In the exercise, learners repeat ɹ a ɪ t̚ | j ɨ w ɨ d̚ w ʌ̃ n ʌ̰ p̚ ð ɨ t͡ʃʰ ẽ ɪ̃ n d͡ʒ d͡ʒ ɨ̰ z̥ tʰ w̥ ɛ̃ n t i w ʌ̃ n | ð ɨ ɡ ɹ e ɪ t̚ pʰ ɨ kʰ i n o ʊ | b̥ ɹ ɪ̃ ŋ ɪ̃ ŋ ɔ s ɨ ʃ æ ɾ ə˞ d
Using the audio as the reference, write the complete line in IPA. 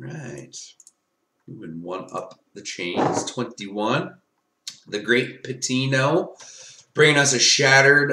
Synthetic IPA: ɹ a ɪ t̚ | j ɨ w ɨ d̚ w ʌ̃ n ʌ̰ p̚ ð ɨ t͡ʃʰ ẽ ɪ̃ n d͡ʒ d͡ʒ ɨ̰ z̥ tʰ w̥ ɛ̃ n t i w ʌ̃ n | ð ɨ ɡ ɹ e ɪ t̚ pʰ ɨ tʰ i n o ʊ | b̥ ɹ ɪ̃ ŋ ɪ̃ ŋ ʌ s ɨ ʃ æ ɾ ə˞ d